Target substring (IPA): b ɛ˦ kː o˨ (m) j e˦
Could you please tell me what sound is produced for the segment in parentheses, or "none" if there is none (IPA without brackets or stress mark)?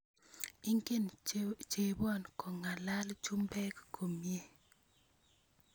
m